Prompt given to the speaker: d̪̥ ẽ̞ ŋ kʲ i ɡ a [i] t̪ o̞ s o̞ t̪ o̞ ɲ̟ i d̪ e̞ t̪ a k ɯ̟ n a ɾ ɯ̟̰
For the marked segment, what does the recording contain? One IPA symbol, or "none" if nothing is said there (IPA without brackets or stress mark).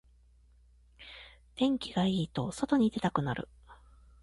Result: iː